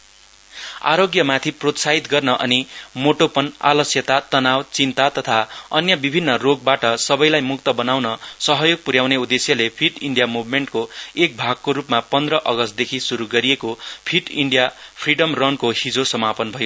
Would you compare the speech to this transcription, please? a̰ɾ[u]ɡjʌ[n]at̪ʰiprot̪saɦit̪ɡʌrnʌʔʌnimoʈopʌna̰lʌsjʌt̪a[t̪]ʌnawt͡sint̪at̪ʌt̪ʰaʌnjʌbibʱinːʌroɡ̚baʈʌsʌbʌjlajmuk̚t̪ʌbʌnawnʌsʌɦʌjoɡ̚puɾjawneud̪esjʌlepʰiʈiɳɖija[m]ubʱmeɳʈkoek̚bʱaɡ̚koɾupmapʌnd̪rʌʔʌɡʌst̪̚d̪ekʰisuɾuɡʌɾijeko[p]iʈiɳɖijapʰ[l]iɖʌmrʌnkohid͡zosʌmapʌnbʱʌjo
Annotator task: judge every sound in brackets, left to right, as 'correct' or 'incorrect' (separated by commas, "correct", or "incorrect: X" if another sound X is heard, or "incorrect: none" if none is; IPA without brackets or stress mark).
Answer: incorrect: o, incorrect: m, correct, correct, incorrect: pʰ, incorrect: r